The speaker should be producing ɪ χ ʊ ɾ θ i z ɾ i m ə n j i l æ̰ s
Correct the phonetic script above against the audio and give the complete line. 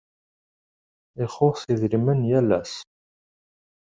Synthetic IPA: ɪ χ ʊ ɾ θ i ð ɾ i m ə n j æ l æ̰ s